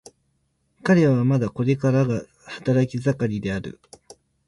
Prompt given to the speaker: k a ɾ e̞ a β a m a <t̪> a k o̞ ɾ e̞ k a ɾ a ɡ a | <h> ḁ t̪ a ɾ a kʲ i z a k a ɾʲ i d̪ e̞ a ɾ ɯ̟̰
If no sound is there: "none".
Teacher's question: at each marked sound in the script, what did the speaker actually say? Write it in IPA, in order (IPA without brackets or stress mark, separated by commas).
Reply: d̪, h